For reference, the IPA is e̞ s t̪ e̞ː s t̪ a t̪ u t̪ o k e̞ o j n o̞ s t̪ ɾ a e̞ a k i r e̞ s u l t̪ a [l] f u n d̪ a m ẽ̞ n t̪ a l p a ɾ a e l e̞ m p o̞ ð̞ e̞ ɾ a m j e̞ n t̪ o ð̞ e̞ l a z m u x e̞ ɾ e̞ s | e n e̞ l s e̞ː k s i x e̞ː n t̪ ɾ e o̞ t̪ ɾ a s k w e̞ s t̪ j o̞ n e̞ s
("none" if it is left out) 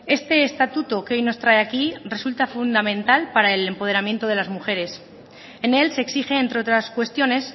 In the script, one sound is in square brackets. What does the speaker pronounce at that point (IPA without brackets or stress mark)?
none